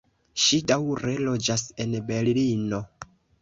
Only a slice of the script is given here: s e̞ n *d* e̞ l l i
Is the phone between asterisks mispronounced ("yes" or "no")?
yes